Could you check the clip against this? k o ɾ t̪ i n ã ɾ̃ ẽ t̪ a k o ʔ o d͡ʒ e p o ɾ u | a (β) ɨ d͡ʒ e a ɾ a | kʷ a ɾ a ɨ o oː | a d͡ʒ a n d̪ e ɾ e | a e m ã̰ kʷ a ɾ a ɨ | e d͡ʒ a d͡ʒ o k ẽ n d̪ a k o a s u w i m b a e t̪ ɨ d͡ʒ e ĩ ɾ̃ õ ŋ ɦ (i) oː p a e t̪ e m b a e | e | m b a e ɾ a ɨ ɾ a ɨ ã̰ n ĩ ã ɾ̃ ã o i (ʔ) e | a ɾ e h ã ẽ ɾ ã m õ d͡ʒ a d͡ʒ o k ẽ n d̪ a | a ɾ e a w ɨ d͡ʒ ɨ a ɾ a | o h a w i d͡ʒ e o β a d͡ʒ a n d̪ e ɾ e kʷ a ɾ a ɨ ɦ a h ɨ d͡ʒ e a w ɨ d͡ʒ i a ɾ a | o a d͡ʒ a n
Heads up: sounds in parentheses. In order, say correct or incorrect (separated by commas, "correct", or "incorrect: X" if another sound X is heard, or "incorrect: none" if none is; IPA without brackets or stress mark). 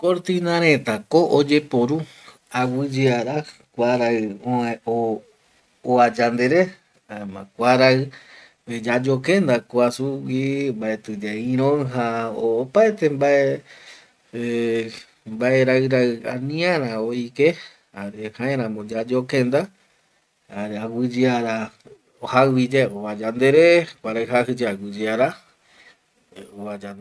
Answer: incorrect: w, incorrect: a, incorrect: k